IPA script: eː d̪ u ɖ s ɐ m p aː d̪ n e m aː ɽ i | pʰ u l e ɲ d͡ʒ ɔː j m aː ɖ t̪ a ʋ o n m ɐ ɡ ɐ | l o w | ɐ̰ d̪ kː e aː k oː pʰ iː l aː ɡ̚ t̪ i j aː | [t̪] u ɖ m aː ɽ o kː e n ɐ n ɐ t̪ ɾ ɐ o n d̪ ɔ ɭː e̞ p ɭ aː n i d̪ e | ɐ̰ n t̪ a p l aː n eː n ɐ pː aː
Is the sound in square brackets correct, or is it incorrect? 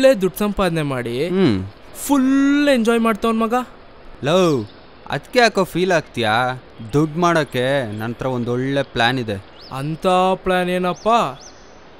incorrect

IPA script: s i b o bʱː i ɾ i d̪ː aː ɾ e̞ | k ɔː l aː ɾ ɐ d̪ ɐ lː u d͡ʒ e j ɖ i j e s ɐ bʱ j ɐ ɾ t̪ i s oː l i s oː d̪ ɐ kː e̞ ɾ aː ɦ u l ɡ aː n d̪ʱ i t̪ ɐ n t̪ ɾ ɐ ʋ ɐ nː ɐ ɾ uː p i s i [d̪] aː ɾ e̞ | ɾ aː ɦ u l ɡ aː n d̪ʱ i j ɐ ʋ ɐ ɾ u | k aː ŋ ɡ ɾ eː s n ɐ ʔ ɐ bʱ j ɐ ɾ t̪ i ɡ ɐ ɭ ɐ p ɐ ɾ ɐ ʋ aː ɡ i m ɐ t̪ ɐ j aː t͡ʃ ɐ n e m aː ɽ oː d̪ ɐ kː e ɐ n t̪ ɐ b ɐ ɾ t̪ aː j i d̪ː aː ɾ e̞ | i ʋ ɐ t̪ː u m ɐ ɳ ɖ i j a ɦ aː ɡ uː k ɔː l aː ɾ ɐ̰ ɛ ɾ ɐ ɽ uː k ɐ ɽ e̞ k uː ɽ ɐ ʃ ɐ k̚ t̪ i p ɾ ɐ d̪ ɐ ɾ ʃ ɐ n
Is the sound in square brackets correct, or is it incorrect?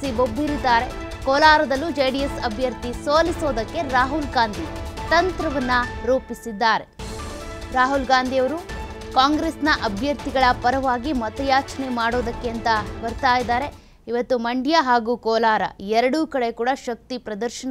incorrect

